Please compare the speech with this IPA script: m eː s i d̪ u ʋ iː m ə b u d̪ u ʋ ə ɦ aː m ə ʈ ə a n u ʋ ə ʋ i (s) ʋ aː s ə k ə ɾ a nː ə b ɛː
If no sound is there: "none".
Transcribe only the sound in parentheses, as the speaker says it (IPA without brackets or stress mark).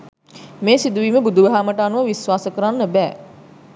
s